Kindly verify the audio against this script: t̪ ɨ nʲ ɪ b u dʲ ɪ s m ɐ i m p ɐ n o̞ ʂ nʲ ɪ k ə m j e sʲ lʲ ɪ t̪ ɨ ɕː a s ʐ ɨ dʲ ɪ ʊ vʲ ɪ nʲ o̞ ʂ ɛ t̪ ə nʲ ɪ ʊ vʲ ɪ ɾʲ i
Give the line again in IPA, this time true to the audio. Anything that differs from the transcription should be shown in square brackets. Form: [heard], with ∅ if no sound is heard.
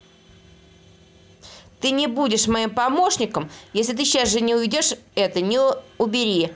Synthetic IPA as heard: t̪ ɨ nʲ ɪ b u dʲ ɪ [ʂ] m ɐ i m p ɐ [m] o̞ ʂ nʲ ɪ k ə m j e sʲ lʲ ɪ t̪ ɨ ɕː a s ʐ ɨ [nʲ] ɪ ʊ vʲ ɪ [dʲ] o̞ ʂ ɛ t̪ ə nʲ ɪ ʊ [bʲ] ɪ ɾʲ i